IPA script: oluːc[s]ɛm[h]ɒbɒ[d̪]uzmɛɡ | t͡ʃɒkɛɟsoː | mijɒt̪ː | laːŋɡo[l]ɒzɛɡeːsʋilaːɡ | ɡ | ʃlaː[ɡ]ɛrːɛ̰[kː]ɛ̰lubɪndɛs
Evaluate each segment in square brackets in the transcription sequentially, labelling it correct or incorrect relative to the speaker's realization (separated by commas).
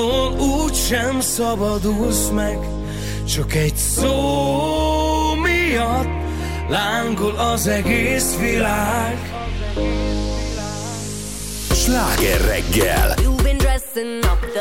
incorrect, incorrect, correct, correct, correct, incorrect